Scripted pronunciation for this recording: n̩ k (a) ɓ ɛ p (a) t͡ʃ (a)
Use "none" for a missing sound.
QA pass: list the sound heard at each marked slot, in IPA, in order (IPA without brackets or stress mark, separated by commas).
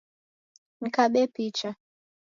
a, i, a